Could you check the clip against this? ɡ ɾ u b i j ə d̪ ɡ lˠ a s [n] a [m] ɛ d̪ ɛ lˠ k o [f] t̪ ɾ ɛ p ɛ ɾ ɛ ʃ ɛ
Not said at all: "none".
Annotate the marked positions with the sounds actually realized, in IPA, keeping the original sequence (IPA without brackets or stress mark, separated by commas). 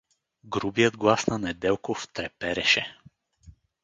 n, n, f